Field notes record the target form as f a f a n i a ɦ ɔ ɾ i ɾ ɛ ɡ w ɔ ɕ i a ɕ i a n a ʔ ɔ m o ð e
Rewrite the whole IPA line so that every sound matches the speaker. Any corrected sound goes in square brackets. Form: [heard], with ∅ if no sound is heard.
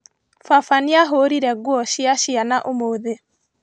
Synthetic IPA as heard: f a f a n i a ɦ [o] ɾ i ɾ ɛ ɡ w ɔ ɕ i a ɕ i a n a ʔ [o] m o ð e